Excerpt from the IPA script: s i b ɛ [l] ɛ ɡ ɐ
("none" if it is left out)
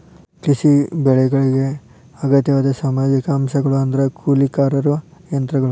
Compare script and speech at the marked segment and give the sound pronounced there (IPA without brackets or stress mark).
ɭ